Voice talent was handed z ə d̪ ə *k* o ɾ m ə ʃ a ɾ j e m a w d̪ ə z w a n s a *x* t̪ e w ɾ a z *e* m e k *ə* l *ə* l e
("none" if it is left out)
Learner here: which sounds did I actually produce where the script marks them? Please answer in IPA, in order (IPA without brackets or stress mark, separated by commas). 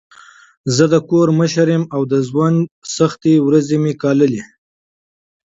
k, x, e, ɑ, ə